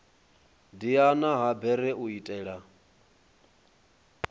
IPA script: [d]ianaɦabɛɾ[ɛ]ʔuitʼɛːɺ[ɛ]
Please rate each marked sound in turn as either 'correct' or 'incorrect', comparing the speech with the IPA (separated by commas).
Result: correct, correct, incorrect